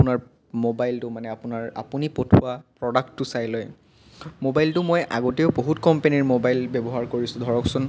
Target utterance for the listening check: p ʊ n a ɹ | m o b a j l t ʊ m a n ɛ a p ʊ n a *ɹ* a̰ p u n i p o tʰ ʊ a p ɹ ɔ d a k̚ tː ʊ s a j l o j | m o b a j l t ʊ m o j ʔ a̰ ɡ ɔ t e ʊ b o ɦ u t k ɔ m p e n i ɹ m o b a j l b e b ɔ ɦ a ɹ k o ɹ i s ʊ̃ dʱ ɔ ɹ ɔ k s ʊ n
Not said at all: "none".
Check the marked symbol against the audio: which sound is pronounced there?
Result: ɹ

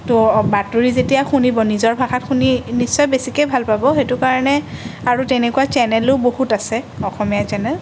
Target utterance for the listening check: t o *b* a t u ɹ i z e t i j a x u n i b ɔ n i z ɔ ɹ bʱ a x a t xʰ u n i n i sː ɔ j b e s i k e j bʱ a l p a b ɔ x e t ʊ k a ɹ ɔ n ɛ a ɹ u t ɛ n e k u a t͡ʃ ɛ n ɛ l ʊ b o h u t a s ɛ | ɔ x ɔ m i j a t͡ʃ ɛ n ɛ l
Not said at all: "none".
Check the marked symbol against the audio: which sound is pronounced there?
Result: b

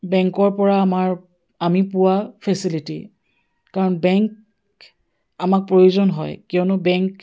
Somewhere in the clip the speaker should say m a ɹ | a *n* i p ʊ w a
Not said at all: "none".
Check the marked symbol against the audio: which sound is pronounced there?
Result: m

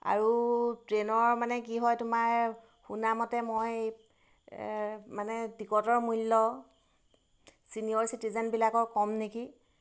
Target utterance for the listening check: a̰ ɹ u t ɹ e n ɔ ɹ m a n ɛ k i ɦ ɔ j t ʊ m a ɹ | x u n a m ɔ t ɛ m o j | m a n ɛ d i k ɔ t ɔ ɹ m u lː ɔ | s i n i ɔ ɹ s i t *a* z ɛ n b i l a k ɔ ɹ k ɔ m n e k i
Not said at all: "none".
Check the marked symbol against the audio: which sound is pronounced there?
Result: i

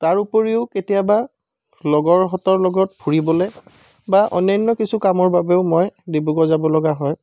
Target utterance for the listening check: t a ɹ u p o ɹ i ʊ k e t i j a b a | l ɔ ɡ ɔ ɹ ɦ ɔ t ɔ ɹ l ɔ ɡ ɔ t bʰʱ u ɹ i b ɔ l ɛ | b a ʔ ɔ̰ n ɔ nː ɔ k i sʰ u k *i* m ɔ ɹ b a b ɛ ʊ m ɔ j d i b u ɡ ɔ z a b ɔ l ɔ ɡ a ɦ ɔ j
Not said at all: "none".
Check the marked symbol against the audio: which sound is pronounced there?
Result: a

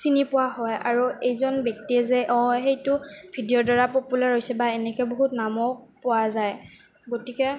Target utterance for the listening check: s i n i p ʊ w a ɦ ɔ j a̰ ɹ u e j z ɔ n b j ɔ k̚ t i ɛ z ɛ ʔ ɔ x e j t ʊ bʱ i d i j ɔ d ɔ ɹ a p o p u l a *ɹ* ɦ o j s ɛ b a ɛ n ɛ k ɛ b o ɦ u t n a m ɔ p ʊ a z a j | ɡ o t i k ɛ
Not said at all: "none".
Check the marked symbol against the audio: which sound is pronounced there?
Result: ɹ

